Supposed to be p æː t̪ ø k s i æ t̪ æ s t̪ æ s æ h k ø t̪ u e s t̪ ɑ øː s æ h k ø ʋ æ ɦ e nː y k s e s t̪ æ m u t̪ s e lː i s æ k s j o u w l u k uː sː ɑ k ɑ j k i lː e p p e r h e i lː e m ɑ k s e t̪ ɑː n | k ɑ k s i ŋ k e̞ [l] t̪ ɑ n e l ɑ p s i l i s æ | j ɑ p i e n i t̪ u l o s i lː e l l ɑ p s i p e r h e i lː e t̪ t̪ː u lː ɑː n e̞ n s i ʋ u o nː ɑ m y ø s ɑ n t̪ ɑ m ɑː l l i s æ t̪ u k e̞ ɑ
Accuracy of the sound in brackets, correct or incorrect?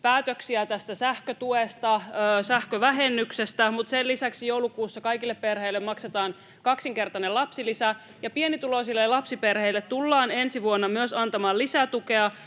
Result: incorrect